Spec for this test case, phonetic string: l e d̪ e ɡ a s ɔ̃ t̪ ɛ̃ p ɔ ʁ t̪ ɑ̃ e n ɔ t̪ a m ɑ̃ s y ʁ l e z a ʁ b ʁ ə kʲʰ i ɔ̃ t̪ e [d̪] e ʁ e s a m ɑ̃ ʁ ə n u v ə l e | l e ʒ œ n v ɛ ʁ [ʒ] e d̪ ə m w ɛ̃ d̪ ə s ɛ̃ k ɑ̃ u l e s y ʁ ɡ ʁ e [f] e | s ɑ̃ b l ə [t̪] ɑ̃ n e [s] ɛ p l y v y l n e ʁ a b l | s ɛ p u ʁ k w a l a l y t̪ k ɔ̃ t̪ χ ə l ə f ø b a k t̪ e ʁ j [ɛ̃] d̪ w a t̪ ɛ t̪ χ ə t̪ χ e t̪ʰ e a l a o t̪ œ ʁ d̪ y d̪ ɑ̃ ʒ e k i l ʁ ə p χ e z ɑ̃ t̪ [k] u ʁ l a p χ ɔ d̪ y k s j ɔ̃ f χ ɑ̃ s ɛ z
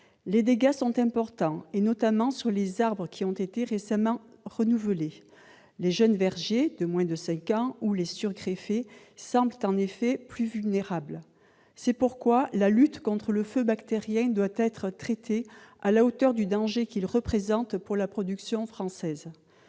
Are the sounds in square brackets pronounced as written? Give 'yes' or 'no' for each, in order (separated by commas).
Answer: no, yes, yes, yes, no, yes, no